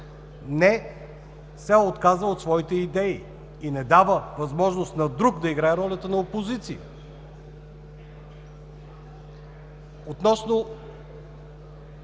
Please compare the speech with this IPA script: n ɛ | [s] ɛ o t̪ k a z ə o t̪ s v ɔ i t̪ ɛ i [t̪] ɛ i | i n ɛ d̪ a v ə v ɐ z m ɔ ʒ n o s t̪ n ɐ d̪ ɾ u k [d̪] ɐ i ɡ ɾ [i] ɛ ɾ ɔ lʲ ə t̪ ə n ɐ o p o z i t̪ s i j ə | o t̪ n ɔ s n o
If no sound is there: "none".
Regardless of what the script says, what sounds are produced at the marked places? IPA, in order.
s, d̪, d̪, a

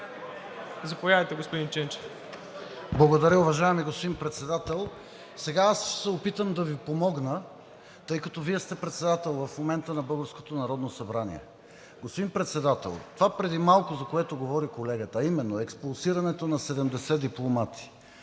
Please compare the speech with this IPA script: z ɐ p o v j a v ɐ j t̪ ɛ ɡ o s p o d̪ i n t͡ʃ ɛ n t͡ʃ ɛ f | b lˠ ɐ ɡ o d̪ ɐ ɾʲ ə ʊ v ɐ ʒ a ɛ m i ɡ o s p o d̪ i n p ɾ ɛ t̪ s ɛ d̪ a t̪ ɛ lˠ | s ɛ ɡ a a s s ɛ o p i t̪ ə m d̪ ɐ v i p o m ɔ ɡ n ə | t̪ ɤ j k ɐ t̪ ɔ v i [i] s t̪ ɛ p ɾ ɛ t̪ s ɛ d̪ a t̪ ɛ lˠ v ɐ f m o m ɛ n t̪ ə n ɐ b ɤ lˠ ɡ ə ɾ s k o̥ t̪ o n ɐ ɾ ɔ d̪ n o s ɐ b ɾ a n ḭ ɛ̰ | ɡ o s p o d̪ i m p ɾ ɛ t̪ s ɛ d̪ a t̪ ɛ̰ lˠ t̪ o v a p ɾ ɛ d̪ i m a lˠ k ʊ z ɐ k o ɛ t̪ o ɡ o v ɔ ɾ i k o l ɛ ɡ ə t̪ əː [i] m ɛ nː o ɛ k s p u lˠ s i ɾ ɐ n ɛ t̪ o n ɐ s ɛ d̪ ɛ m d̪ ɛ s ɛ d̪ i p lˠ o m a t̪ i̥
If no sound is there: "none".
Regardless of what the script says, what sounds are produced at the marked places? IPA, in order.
ɛ, i

